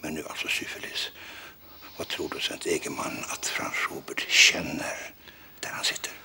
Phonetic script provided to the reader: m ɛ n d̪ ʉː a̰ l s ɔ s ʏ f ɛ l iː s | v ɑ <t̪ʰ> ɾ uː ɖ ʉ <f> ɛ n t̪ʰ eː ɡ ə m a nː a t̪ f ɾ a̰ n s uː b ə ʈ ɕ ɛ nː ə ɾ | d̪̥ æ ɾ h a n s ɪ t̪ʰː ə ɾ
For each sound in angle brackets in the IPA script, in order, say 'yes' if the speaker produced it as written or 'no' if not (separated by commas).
yes, no